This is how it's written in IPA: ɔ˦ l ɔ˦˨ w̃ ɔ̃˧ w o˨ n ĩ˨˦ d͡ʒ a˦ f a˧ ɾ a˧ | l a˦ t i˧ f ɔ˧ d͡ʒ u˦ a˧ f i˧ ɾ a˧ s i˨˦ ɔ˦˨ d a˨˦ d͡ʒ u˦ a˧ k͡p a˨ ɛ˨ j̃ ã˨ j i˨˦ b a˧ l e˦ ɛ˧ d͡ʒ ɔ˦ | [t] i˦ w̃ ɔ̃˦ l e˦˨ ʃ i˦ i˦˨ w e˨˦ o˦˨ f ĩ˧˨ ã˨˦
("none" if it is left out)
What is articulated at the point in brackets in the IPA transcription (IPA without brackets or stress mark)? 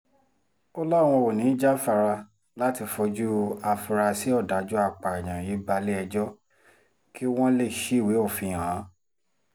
k